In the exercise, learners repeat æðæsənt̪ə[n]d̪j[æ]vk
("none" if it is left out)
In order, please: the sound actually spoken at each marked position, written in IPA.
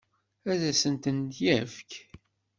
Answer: n, æ

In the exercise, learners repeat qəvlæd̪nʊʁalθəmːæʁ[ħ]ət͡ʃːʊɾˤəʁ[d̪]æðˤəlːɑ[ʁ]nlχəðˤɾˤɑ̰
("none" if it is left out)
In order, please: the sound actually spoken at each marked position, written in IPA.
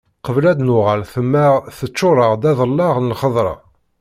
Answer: θ, d̪, ʁ

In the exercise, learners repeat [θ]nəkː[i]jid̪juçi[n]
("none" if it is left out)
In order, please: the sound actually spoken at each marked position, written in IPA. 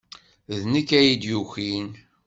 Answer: ð, æ, n

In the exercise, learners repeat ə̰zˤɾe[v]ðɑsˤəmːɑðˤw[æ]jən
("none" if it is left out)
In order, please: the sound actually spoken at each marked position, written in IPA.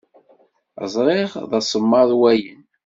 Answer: ʁ, æ

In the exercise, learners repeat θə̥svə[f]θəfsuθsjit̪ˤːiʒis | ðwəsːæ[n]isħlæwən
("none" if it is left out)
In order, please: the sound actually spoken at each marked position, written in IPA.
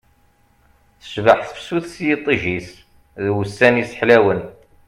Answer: ħ, n

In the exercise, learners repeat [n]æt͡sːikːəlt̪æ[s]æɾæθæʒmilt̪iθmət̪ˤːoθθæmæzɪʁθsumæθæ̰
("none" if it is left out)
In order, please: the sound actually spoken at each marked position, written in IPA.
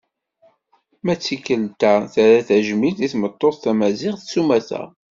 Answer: m, θ

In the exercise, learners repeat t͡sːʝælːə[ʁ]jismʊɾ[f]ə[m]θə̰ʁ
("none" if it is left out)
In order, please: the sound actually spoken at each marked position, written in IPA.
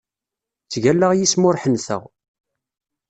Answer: ʁ, ħ, n

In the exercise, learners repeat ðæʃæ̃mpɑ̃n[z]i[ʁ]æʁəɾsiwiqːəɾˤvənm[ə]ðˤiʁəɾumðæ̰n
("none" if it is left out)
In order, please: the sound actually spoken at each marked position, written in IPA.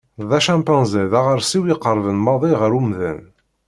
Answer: z, ð, ɑ

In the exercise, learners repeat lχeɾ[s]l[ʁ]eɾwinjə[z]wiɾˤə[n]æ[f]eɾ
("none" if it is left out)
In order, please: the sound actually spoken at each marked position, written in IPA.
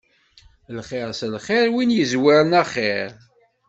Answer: s, χ, z, n, χ

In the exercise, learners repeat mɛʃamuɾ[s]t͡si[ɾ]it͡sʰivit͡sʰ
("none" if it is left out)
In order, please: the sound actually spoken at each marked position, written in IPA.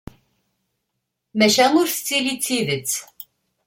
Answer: s, l

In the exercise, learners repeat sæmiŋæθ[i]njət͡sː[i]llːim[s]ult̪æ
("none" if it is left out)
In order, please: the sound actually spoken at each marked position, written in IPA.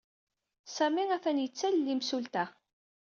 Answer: æ, æ, s

